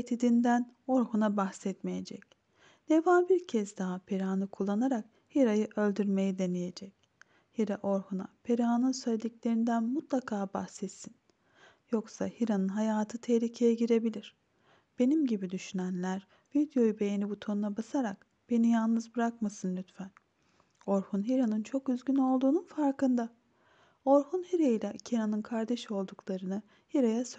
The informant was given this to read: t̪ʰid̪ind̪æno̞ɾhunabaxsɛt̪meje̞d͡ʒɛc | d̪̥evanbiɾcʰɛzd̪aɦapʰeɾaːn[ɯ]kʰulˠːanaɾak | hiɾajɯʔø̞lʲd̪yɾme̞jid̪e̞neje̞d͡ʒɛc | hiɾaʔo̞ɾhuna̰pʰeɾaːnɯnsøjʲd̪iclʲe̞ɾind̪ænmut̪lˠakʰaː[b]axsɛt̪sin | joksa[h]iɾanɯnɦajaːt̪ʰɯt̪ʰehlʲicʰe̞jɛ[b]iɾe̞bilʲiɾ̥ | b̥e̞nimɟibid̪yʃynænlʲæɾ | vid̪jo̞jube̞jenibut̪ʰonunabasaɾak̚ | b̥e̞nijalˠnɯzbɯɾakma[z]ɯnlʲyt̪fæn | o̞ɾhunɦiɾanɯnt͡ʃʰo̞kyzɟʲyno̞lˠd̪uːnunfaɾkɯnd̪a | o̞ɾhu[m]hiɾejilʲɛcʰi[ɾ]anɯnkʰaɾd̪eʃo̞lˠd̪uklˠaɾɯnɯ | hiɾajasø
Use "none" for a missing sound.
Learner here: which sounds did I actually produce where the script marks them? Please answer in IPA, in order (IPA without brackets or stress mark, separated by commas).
ɯ, b, h, ɟ, s, n, ɾ